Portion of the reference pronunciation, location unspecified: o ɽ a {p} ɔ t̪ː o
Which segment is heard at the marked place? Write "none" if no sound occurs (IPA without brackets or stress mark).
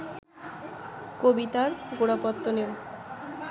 p